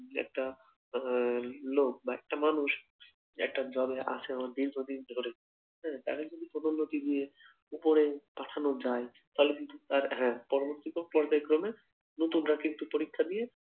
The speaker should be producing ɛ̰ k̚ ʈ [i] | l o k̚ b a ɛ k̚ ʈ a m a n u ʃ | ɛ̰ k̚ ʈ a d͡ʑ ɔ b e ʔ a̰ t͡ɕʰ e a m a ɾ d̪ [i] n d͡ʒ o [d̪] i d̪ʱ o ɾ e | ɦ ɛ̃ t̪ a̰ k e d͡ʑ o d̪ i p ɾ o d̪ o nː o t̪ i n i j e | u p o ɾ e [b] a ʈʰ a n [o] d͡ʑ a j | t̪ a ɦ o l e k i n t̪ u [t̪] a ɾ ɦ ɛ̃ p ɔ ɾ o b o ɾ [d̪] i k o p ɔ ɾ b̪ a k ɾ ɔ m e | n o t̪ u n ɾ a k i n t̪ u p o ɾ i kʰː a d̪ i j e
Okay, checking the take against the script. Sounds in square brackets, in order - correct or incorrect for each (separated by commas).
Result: incorrect, correct, correct, incorrect, correct, correct, incorrect